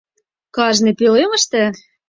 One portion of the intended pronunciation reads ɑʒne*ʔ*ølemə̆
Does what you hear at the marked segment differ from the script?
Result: yes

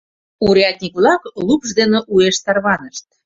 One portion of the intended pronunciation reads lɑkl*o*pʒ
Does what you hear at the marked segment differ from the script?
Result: yes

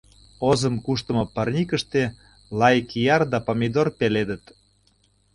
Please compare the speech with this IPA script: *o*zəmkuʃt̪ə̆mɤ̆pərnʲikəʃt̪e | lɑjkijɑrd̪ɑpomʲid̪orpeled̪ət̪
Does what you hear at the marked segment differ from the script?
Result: no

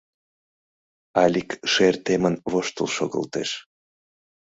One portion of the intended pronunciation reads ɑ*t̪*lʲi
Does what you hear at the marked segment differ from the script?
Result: yes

